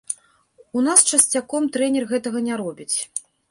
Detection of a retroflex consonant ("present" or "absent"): present